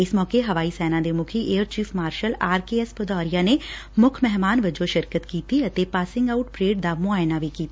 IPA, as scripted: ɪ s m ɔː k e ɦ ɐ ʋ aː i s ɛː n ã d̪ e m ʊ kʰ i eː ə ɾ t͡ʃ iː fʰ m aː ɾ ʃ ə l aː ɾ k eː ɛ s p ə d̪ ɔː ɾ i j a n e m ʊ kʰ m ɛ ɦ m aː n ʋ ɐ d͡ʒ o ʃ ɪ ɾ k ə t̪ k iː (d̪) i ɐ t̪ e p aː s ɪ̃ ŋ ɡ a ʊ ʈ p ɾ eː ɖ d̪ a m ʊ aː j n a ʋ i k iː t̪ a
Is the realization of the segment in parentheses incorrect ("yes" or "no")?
yes